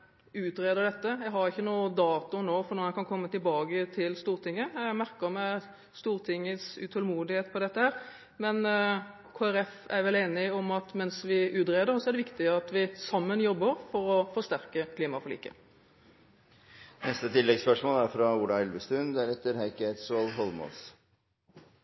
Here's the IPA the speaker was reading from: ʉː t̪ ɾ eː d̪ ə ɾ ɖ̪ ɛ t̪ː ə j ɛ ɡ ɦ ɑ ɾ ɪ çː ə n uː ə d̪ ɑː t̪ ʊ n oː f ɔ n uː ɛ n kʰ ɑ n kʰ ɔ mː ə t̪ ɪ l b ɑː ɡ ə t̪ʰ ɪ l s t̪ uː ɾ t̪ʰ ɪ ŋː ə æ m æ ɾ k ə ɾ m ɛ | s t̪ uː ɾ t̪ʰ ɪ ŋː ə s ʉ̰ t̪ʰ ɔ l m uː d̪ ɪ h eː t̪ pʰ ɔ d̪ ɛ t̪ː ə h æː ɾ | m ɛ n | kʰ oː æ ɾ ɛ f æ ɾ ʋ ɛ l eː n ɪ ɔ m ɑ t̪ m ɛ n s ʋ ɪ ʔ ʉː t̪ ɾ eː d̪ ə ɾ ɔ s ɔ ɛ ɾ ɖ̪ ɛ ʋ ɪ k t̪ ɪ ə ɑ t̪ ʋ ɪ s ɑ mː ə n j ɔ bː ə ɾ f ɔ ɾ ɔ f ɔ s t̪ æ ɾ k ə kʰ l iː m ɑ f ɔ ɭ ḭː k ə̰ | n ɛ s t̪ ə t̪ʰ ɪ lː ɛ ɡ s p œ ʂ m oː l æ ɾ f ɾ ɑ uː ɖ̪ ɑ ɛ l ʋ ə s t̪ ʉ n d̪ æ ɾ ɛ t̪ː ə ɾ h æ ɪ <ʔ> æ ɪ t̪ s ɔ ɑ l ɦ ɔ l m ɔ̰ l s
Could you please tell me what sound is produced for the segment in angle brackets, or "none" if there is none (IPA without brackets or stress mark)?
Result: k